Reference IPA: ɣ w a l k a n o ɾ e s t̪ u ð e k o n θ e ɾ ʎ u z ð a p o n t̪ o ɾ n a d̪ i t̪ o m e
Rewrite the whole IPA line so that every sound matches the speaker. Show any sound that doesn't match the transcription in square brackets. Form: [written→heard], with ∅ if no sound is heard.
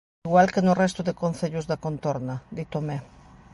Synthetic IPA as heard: ɣ w a l k [a→e] n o [ɾ→r] e s t̪ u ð e k o n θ e [ɾ→∅] ʎ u z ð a [p→k] o n t̪ o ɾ n a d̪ i t̪ o m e